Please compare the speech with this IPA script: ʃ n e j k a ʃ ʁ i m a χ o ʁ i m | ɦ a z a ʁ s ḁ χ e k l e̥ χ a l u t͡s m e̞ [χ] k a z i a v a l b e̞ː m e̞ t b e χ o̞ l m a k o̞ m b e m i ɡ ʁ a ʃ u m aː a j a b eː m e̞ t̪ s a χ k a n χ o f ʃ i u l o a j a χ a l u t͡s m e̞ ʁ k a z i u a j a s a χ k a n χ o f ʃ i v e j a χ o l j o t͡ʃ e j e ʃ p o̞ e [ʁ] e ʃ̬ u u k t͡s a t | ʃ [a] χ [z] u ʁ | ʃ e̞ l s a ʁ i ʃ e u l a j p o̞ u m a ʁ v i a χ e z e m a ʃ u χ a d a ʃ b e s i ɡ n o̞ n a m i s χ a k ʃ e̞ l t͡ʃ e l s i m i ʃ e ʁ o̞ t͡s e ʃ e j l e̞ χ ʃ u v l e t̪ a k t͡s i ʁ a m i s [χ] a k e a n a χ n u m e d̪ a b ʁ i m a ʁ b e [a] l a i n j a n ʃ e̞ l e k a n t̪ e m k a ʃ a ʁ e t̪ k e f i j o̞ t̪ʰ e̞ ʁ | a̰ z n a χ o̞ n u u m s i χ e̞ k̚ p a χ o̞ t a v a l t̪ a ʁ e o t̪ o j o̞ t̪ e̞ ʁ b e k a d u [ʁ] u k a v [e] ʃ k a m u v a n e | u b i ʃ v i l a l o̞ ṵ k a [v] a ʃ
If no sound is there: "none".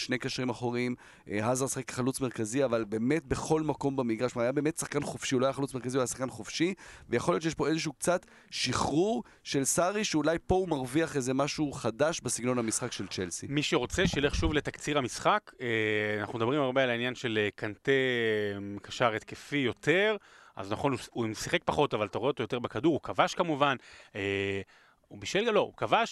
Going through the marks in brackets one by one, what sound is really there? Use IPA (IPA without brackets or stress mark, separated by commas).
ʁ, z, i, ʁ, χ, a, ʁ, a, v